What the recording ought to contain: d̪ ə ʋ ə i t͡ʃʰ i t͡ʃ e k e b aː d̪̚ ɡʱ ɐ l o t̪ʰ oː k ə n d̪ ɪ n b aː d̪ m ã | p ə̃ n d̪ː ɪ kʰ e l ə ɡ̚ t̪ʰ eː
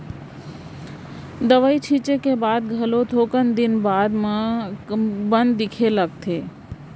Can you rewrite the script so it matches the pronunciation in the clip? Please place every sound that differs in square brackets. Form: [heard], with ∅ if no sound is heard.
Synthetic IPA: d̪ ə ʋ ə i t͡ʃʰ i t͡ʃ e k e b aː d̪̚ ɡʱ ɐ l o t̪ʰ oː k ə n d̪ ɪ n b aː d̪ m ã | [b] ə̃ n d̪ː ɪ kʰ e l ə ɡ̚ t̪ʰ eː